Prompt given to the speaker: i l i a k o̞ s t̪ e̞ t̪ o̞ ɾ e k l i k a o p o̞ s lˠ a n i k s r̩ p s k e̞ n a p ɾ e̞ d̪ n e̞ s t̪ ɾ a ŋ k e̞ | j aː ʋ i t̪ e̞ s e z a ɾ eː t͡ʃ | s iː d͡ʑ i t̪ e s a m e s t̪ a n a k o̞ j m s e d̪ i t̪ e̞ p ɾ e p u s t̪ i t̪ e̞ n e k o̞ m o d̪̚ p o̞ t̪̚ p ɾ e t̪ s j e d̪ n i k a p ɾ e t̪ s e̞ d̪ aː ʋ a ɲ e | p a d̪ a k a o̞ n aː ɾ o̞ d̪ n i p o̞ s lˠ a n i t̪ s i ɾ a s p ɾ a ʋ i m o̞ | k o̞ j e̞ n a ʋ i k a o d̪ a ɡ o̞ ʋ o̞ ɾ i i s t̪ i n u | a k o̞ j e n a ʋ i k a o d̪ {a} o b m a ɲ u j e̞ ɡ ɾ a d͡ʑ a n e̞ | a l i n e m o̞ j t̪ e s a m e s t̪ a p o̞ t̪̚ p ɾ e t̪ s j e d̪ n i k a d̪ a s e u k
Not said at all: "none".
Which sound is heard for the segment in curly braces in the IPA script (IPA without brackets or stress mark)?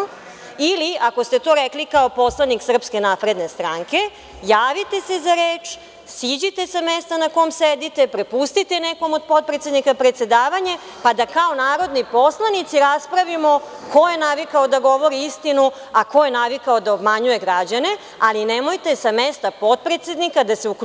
a